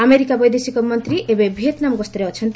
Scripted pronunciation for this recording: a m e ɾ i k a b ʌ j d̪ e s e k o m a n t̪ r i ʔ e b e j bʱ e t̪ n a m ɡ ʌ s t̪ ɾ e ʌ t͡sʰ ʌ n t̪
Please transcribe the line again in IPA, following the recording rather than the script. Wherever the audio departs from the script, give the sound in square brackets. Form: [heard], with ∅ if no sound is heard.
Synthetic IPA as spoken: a m e ɾ i k a b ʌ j d̪ e s [i] k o m [ʌ] n t̪ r i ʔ e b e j bʱ e t̪ n a m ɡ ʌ s t̪ ɾ e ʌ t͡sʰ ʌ n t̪